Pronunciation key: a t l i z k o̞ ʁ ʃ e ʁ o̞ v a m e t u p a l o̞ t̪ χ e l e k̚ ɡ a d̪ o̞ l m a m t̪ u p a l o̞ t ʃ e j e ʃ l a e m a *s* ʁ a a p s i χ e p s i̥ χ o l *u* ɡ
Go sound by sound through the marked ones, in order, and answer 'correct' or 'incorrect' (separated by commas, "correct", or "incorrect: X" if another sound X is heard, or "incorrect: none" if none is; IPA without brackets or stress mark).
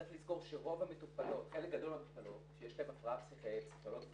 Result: incorrect: f, incorrect: o